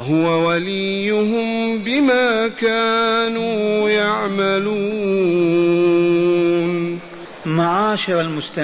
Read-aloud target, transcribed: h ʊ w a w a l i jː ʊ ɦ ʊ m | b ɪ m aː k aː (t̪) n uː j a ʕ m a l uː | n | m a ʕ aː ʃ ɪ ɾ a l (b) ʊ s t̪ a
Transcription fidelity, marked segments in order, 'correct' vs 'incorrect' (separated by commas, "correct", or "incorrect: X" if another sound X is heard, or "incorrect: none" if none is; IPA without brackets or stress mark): incorrect: none, incorrect: m